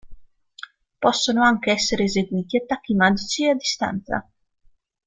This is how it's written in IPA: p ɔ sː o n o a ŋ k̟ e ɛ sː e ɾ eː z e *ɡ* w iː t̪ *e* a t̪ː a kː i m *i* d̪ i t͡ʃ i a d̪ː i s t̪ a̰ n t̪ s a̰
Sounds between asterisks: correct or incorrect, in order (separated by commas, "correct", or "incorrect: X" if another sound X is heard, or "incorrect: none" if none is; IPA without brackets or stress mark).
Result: correct, incorrect: i, incorrect: a